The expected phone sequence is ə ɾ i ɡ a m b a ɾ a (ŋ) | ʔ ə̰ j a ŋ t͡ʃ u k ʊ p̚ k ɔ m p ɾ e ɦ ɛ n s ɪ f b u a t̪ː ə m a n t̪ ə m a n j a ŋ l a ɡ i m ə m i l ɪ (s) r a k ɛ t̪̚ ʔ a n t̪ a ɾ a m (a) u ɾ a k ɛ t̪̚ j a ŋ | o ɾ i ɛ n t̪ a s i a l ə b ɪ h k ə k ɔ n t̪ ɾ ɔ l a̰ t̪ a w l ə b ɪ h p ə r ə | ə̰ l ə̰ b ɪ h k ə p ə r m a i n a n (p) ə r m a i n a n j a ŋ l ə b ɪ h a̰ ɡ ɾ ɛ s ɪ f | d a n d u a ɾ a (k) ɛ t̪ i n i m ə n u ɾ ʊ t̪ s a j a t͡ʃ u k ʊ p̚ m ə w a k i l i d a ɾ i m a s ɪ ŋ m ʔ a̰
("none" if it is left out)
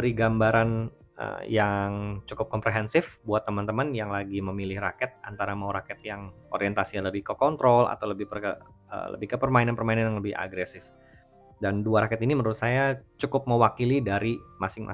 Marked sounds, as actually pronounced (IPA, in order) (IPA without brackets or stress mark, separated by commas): n, h, a, p, k